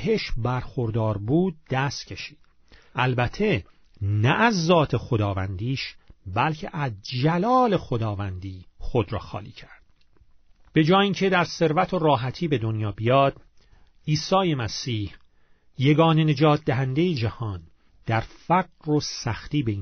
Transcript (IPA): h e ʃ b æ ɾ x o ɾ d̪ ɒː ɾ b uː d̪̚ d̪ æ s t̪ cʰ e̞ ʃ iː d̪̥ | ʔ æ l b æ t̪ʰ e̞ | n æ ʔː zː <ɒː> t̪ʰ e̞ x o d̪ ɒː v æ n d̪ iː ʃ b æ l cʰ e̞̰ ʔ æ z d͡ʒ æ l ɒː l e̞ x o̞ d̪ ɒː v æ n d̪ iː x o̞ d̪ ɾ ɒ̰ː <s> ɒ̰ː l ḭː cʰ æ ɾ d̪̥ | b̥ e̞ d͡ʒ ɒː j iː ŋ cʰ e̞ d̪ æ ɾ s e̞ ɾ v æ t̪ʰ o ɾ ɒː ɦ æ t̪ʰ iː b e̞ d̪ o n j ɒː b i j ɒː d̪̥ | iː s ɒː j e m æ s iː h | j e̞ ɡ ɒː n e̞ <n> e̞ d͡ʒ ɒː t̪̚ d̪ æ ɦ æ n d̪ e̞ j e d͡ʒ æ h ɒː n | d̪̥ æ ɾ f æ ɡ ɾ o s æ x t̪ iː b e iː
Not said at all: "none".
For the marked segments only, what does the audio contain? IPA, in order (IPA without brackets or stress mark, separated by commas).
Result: ɒː, x, n